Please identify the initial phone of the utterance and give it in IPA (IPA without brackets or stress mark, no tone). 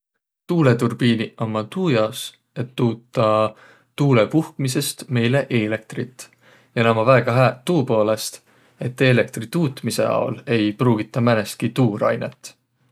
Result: t̪